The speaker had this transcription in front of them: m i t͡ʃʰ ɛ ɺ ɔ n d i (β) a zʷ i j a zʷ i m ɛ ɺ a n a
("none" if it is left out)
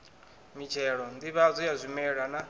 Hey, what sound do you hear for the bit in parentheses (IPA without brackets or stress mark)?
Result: β